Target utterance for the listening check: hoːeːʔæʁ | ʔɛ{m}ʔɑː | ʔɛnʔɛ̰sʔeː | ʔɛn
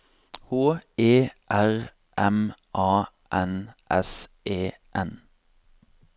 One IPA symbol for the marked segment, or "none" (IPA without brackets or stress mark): m